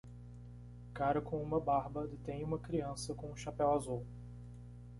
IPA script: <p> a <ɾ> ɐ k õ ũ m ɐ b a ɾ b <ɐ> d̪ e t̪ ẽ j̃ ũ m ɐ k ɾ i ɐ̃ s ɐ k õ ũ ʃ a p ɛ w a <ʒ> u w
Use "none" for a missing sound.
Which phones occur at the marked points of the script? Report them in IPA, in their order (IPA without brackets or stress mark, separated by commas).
k, ɾ, ɐ, z